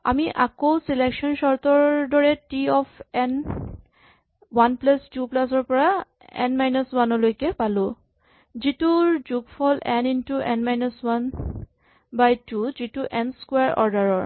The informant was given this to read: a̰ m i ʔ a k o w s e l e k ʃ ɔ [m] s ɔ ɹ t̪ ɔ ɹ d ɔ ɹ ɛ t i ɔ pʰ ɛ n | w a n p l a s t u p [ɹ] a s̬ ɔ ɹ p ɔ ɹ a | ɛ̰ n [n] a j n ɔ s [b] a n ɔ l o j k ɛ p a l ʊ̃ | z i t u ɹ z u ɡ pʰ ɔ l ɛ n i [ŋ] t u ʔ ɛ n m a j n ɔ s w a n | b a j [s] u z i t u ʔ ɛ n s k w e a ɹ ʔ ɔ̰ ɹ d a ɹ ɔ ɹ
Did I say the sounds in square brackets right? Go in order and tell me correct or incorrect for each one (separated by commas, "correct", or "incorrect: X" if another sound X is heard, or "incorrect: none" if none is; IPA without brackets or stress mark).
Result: incorrect: n, incorrect: l, incorrect: m, incorrect: w, incorrect: n, incorrect: t